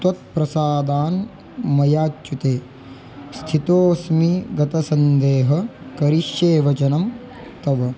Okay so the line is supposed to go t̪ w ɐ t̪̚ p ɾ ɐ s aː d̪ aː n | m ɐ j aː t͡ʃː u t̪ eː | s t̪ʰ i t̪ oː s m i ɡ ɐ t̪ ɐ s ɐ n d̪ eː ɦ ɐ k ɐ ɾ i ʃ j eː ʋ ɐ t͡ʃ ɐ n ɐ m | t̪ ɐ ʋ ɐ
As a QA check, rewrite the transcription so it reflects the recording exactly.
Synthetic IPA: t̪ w ɐ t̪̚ p ɾ ɐ s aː d̪ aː n | m ɐ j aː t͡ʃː u t̪ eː | s t̪ʰ i t̪ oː s m i ɡ ɐ t̪ ɐ s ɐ n d̪ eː ɦ ɐ k ɐ ɾ i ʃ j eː ʋ ɐ t͡ʃ ɐ n ɐ m | t̪ ɐ ʋ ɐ

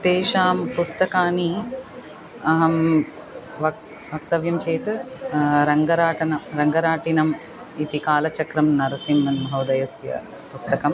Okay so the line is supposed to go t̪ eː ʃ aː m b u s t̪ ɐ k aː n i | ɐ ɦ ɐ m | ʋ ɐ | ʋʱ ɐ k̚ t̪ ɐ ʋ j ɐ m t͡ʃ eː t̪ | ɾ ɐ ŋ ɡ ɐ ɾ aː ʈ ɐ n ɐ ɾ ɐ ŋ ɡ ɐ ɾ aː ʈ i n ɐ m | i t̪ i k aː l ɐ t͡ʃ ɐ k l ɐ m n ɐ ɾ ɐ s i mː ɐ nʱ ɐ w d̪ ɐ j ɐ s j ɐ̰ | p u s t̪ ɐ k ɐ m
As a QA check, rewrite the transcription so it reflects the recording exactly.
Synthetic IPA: t̪ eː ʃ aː m p u s t̪ ɐ k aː n i | ɐ ɦ ɐ m | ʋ ɐ | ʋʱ ɐ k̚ t̪ ɐ ʋ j ɐ m t͡ʃ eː t̪ | ɾ ɐ ŋ ɡ ɐ ɾ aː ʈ ɐ n ɐ ɾ ɐ ŋ ɡ ɐ ɾ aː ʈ i n ɐ m | i t̪ i k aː l ɐ t͡ʃ ɐ k ɾ ɐ m n ɐ ɾ ɐ s i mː ɐ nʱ ɐ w d̪ ɐ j ɐ s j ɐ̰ | p u s t̪ ɐ k ɐ m

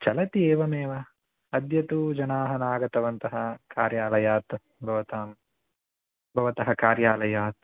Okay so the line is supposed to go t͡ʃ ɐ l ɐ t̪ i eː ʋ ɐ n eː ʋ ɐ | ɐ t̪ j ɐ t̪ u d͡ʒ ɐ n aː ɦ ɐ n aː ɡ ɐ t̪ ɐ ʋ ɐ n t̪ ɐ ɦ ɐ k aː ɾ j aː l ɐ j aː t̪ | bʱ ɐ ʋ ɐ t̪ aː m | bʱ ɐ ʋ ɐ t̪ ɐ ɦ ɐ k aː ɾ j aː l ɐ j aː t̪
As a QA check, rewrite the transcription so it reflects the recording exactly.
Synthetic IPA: t͡ʃ ɐ l ɐ t̪ i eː ʋ ɐ m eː ʋ ɐ | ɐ d̪ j ɐ t̪ u d͡ʒ ɐ n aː ɦ ɐ n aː ɡ ɐ t̪ ɐ ʋ ɐ n t̪ ɐ ɦ ɐ k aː ɾ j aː l ɐ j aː t̪ | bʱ ɐ ʋ ɐ t̪ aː m | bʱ ɐ ʋ ɐ t̪ ɐ ɦ ɐ k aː ɾ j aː l ɐ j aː t̪

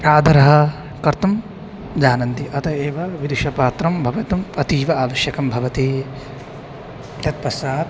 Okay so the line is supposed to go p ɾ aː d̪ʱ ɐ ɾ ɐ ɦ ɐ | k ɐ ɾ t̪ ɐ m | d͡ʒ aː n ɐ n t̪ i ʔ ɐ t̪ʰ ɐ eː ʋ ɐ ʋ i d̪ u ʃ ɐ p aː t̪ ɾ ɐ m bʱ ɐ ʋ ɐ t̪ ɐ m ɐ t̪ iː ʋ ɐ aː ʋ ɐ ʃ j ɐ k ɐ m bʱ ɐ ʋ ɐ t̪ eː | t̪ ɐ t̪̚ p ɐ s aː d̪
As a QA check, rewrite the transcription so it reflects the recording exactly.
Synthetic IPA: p ɾ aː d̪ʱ ɐ ɾ ɐ ɦ ɐ | k ɐ ɾ t̪ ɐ m | d͡ʒ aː n ɐ n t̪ i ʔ ɐ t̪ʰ ɐ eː ʋ ɐ ʋ i d̪ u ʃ ɐ p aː t̪ ɾ ɐ m bʱ ɐ ʋ ɐ t̪ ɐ m ɐ t̪ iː ʋ ɐ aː ʋ ɐ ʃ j ɐ k ɐ m bʱ ɐ ʋ ɐ t̪ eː | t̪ ɐ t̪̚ p ɐ s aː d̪

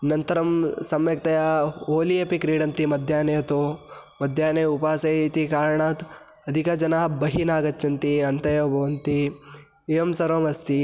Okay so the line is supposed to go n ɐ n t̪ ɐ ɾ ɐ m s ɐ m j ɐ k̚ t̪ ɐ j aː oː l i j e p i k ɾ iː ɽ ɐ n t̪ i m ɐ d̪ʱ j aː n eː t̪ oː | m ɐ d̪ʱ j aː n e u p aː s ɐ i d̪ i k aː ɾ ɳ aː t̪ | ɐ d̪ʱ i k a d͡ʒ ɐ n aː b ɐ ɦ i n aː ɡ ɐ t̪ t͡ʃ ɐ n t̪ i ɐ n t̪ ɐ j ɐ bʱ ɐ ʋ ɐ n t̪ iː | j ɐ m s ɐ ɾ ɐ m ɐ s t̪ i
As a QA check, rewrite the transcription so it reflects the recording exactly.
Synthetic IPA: n ɐ n t̪ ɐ ɾ ɐ m s ɐ m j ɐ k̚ t̪ ɐ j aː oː l i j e p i k ɾ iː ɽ ɐ n t̪ i m ɐ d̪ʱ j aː n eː t̪ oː | m ɐ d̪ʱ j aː n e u p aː s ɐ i t̪ i k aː ɾ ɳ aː t̪ | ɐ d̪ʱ i k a d͡ʒ ɐ n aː b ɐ ɦ i n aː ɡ ɐ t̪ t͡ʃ ɐ n t̪ i ɐ n t̪ ɐ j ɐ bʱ ɐ ʋ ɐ n t̪ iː | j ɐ m s ɐ ɾ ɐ m ɐ s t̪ i

